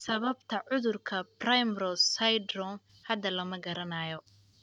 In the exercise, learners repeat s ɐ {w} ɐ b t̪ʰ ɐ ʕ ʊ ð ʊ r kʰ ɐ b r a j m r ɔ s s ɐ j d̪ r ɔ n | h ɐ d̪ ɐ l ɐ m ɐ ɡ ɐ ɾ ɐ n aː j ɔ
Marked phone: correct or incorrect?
incorrect